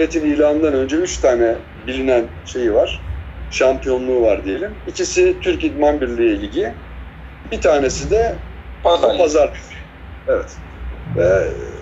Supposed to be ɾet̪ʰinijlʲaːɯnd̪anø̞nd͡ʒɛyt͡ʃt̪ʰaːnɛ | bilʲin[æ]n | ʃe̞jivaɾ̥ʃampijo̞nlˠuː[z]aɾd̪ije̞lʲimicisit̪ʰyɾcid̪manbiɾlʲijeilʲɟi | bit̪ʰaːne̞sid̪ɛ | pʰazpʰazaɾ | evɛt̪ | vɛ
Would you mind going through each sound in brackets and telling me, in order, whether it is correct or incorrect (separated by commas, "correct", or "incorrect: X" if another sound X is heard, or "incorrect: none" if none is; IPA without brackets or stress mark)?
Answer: correct, incorrect: v